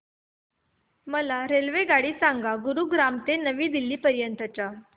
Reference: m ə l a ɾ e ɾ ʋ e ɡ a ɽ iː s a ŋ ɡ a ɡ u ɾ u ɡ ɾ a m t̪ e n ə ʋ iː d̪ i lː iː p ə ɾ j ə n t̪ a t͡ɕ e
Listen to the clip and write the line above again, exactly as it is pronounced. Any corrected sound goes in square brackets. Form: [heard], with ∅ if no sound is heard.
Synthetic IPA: m ə l a ɾ e [l] ʋ e ɡ a ɽ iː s a ŋ ɡ a ɡ u ɾ u ɡ ɾ a m t̪ e n ə ʋ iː d̪ i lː iː p ə ɾ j ə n t̪ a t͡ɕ [a]

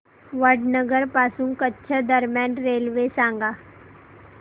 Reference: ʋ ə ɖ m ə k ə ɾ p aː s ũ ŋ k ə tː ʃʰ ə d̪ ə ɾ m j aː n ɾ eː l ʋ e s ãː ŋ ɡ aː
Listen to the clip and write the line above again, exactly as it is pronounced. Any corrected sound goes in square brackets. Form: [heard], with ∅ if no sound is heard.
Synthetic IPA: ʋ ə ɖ [n] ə [ɡ] ə ɾ p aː s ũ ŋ k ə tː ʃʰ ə d̪ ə ɾ m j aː n ɾ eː l ʋ e s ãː ŋ ɡ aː

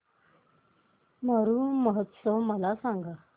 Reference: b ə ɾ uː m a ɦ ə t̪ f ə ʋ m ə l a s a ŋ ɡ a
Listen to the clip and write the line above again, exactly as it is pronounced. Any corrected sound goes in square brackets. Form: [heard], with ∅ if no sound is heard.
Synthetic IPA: [m] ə ɾ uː m [ə] ɦ ə t̪ [s] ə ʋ m ə l a s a ŋ ɡ a

